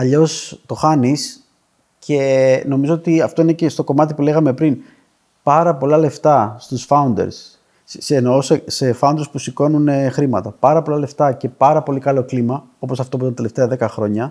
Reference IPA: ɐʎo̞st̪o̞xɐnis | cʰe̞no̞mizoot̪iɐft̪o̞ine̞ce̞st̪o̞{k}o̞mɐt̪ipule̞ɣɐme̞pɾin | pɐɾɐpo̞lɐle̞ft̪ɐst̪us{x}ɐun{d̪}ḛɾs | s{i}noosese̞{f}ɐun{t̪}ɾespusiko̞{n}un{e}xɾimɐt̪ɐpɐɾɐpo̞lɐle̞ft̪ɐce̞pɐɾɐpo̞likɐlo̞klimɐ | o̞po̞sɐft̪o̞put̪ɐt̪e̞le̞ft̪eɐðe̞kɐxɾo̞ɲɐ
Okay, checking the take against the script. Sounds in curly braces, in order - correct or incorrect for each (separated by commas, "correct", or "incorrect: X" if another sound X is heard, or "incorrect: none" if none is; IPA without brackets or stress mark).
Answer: correct, incorrect: f, correct, incorrect: e, correct, incorrect: d̪, correct, correct